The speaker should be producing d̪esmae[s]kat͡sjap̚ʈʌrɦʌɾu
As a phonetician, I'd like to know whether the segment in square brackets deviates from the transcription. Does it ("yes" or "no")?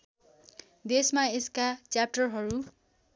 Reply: no